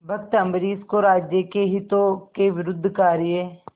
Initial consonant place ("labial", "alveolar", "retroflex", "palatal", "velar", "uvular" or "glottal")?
labial